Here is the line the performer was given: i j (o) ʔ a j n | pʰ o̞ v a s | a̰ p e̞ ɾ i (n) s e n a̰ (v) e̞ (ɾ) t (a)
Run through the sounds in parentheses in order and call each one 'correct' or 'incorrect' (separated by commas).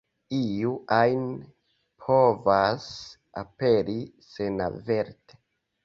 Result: incorrect, incorrect, correct, correct, incorrect